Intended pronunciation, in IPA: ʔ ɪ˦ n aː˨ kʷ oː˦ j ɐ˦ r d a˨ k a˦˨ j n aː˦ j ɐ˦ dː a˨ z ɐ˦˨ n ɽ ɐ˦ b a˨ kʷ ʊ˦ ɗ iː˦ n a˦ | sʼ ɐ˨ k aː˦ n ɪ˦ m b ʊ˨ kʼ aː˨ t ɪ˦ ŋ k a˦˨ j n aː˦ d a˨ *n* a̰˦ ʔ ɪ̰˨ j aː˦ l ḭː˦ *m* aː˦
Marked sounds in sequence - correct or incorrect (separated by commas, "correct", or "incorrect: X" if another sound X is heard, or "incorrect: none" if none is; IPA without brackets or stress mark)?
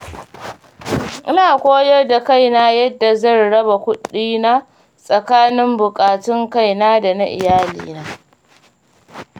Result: correct, incorrect: n